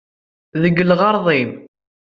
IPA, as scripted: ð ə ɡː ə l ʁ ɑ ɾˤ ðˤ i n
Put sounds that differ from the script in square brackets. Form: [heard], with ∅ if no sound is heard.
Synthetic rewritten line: ð ə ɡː ə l ʁ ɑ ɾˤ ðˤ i [m]